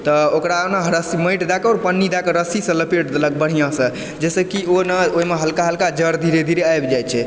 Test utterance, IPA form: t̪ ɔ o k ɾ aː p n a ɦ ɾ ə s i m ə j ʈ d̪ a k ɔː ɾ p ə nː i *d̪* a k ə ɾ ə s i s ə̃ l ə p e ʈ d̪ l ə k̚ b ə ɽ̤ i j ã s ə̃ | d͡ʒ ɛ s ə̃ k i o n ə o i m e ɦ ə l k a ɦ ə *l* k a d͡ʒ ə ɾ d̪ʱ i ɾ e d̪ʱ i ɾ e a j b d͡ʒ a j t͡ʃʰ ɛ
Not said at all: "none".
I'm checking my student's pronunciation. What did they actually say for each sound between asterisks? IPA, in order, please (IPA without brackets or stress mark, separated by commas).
d̪, l